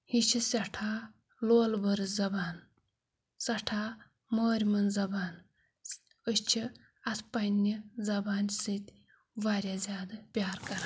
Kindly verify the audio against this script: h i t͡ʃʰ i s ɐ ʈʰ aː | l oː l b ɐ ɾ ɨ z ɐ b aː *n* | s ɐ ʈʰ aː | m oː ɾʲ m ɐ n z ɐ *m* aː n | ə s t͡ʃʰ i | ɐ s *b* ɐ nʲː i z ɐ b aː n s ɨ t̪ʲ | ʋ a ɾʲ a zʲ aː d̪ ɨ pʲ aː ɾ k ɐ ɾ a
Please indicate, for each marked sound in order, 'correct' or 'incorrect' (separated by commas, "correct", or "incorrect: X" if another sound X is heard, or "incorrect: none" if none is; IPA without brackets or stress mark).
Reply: correct, incorrect: b, incorrect: p